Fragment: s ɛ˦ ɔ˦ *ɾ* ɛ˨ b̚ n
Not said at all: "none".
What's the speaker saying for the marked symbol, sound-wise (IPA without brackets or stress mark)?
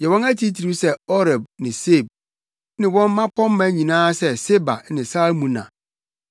ɾ